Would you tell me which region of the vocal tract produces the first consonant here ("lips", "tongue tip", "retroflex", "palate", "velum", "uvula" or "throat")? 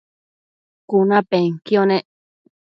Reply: velum